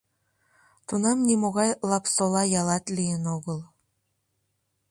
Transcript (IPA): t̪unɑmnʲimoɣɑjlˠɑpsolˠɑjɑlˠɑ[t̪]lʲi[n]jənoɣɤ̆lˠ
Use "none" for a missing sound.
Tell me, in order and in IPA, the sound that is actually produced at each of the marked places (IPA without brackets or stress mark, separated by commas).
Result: t̪, none